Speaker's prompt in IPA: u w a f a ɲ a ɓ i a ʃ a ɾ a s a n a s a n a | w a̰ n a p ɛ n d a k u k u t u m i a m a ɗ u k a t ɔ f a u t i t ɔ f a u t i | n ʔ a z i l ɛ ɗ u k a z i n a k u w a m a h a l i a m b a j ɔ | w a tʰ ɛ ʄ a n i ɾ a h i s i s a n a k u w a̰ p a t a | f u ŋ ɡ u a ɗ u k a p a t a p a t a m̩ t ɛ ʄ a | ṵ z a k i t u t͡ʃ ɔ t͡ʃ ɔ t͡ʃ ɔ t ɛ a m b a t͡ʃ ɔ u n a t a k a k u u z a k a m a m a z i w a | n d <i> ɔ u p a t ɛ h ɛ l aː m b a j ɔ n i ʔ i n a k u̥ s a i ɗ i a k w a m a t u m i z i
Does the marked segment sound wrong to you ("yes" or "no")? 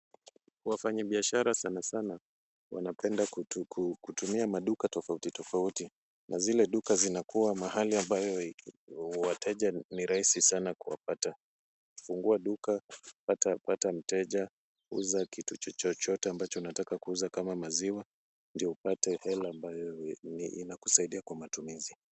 no